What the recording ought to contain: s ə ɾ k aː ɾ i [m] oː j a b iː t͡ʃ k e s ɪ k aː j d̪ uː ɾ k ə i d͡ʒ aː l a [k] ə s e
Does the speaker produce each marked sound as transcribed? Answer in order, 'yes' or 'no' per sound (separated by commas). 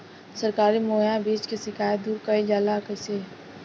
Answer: yes, yes